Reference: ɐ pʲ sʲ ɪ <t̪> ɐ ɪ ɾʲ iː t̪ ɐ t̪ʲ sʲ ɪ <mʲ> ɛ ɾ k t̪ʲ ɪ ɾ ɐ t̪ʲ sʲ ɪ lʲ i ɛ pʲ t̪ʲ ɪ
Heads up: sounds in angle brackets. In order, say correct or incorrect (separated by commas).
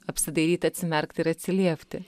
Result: incorrect, correct